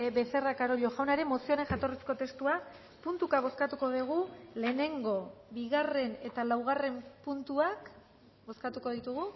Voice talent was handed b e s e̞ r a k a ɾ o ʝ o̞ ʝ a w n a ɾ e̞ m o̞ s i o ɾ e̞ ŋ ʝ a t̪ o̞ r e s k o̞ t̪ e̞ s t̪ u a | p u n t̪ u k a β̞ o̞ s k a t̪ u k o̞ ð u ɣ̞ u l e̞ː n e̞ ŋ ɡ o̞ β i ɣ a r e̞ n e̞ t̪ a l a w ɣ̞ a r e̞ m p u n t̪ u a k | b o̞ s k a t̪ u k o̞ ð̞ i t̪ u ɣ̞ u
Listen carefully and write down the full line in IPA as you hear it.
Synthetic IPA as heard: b e s e̞ r a k a ɾ o ʎ o̞ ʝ a w n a ɾ e̞ m o̞ s i o ɾ e̞ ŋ ʝ a t̪ o̞ r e s k o̞ t̪ e̞ s t̪ u a | p u n t̪ u k a β̞ o̞ s k a t̪ u k o̞ ð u ɣ̞ u l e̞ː n e̞ ŋ ɡ o̞ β i ɣ a r e̞ n e̞ t̪ a l a w ɣ̞ a r e̞ m p u n t̪ u a k | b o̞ s k a t̪ u k o̞ ð̞ i t̪ u ɣ̞ u